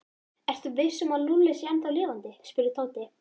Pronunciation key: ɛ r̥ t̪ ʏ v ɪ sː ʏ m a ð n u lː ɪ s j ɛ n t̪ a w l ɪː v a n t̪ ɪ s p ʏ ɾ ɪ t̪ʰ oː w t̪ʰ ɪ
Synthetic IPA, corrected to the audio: ɛ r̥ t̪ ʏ v ɪ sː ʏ m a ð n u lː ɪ s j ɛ n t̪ a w l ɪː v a n t̪ ɪ s p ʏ ɾ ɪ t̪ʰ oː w t̪ ɪ